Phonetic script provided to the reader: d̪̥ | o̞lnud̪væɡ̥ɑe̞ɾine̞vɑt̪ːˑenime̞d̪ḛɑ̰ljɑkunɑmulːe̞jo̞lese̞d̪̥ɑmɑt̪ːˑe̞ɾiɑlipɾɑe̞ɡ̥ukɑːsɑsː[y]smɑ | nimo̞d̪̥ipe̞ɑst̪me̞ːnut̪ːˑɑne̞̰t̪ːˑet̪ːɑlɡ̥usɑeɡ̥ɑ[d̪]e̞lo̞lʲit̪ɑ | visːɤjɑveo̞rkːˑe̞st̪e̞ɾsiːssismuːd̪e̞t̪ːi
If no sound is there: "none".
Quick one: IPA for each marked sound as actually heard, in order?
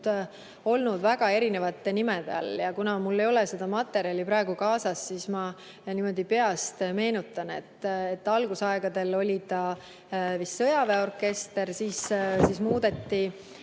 i, d̪

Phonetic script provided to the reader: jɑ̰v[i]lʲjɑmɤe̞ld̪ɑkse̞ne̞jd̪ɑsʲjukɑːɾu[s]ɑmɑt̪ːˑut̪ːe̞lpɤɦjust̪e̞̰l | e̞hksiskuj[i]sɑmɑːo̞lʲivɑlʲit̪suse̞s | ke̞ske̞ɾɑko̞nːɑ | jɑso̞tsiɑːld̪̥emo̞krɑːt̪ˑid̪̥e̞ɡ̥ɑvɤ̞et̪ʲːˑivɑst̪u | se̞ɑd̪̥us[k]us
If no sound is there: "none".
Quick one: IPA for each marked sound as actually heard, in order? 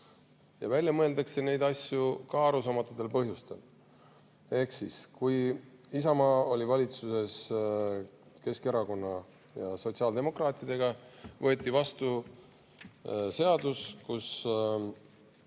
æ, s, i, k

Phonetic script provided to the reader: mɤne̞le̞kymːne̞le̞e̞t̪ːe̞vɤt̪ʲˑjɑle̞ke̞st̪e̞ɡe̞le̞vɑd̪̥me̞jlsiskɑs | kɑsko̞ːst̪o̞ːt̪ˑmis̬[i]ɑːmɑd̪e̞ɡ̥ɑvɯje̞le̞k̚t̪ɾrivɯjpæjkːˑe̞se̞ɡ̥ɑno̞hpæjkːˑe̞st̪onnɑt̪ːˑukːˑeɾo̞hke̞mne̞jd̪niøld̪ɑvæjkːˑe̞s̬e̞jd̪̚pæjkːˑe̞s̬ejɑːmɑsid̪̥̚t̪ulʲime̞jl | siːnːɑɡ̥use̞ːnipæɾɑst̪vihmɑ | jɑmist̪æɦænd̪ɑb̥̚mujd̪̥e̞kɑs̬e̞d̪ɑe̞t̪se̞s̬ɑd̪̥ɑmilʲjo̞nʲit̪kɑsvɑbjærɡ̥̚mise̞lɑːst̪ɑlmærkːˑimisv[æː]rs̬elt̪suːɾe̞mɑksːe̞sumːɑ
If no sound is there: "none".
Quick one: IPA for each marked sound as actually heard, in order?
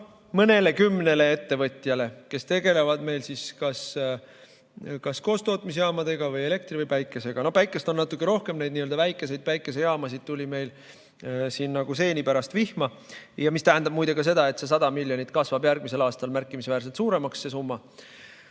j, æː

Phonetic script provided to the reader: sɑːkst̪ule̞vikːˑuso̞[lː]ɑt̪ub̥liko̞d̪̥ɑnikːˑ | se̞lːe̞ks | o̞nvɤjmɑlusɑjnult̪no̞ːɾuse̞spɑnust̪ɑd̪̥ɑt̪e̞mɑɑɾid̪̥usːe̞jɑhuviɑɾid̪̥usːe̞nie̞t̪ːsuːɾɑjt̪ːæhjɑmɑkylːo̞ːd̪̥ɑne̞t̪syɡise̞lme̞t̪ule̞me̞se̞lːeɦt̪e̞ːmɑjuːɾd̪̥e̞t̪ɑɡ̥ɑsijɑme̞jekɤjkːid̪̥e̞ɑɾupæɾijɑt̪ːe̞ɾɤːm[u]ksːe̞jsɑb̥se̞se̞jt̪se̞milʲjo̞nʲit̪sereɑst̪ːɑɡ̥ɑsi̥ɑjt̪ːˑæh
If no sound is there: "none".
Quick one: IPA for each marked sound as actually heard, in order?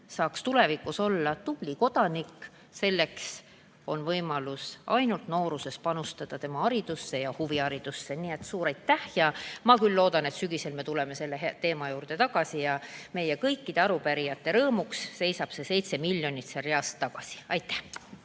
lː, u

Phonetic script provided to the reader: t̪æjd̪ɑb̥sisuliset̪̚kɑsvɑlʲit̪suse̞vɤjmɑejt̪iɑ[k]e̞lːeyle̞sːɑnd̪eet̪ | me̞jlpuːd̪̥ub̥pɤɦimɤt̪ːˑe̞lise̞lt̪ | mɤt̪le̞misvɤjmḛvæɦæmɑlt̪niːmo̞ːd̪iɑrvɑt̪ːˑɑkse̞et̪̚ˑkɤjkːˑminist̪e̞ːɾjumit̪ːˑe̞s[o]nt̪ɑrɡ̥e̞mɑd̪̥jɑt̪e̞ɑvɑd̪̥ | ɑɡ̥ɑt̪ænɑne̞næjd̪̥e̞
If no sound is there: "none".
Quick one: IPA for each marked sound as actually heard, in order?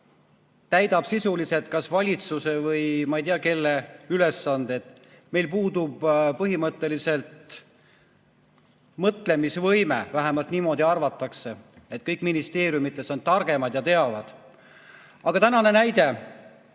k, o

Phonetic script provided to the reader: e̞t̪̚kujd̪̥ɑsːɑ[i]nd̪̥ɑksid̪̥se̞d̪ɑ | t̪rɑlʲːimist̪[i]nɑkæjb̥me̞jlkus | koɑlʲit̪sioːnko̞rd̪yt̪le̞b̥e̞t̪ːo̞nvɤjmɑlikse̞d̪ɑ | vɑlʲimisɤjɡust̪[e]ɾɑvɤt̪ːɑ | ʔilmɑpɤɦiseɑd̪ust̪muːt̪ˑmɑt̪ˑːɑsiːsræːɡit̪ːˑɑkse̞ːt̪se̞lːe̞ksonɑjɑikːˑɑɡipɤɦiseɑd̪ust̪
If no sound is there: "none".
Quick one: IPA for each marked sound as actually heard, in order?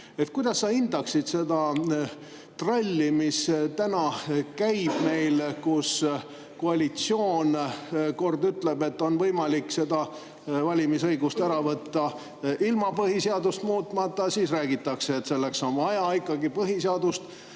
i, æ, æ

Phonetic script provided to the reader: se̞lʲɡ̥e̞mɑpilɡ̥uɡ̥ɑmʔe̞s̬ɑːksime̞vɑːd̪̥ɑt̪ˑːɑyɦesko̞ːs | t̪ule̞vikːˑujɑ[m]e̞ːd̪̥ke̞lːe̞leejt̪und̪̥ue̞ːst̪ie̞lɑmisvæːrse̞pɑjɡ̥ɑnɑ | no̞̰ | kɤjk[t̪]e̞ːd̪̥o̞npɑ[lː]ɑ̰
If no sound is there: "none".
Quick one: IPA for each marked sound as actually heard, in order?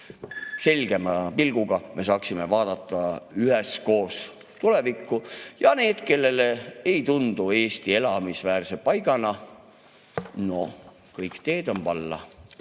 n, t̪, lː

